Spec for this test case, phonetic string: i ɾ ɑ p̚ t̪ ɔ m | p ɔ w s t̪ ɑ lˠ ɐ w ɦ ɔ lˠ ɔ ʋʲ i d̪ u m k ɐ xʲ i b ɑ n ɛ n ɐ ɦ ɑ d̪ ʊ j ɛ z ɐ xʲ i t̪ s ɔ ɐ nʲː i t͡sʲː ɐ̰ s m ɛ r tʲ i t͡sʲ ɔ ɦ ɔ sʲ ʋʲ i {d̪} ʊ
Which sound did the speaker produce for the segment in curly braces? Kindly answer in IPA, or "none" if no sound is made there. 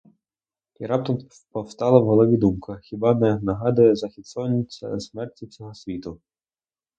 t̪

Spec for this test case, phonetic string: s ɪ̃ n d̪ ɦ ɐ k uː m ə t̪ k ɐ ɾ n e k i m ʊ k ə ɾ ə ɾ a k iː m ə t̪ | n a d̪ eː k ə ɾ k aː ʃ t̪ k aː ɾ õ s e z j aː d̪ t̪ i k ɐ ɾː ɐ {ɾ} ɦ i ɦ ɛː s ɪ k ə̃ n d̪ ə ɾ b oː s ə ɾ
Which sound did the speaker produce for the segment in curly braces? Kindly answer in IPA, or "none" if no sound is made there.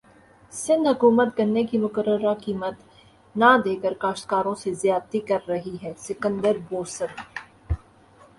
none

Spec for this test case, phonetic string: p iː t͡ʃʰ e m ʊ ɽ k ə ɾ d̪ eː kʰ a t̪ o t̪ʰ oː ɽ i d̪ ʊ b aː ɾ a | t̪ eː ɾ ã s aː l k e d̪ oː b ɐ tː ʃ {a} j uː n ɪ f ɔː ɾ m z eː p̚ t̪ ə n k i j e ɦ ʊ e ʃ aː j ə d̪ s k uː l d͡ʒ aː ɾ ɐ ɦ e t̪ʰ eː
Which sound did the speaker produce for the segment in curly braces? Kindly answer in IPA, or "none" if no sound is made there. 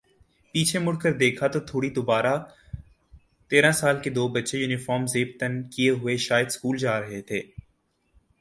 e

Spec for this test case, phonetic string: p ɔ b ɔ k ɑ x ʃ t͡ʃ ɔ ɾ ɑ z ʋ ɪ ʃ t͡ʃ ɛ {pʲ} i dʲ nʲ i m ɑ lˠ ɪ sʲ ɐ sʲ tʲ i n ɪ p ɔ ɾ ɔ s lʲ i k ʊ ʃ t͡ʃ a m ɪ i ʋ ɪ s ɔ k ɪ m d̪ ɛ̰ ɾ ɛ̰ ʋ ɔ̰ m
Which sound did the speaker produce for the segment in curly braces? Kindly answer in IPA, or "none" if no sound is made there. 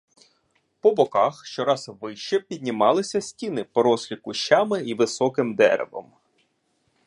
pʲ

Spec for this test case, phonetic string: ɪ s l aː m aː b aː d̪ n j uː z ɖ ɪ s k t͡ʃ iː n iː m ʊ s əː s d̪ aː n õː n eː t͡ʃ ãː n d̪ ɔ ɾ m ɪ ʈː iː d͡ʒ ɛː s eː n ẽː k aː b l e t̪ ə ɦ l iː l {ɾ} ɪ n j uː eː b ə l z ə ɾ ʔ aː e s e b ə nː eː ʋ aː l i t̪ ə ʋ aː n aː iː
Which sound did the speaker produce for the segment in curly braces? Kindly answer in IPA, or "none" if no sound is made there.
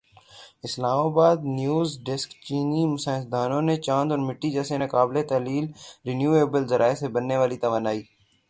ɾ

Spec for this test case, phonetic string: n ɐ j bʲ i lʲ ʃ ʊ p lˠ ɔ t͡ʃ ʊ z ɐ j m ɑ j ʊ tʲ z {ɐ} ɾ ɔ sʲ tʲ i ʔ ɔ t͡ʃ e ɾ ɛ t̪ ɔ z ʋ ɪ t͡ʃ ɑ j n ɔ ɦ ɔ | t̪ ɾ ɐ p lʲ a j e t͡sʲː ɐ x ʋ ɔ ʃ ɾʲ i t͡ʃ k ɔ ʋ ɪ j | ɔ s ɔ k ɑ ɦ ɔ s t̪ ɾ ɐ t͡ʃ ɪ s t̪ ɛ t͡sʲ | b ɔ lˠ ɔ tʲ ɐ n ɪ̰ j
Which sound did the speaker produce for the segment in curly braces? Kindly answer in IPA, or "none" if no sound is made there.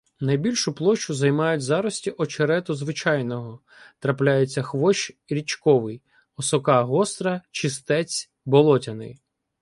ɑ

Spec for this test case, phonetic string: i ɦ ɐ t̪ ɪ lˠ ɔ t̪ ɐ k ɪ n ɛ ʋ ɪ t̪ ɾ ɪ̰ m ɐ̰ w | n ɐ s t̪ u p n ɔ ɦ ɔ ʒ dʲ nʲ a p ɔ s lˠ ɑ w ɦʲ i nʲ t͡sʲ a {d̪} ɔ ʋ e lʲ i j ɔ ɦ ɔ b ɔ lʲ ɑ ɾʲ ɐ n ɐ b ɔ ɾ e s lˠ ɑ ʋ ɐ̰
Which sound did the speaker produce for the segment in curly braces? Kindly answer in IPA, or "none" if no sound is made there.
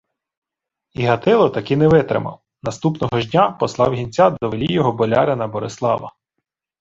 d̪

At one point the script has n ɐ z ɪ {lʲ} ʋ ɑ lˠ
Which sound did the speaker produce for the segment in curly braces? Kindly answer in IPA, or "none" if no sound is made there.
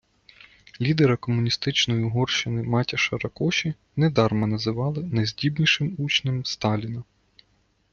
none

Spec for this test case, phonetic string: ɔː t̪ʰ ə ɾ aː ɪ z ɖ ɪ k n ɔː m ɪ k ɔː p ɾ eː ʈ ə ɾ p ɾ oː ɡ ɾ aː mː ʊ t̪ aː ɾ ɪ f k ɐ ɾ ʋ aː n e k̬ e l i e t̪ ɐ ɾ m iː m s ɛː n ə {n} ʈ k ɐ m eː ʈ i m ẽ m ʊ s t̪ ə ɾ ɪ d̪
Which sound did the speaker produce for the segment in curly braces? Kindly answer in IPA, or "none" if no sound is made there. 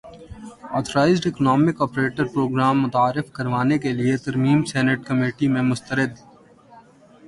none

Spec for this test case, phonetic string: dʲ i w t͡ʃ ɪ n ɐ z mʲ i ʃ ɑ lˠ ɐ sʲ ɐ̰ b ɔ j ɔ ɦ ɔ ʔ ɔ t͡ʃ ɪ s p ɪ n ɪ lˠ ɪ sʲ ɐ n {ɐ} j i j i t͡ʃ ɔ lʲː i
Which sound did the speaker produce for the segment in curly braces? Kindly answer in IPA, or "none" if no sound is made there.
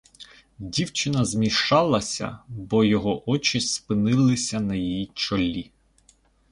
ɐ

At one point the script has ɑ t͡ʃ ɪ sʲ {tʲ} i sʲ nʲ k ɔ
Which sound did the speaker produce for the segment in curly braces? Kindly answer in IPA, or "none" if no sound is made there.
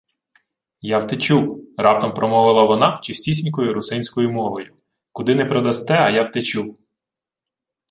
tʲ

